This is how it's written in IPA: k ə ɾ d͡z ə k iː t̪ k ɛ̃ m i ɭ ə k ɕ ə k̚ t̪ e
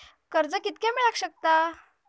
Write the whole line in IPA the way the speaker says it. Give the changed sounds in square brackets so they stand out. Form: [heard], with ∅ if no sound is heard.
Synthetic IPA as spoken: k ə ɾ d͡z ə k [i] t̪ k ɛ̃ m i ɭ [a] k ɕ ə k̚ t̪ [a]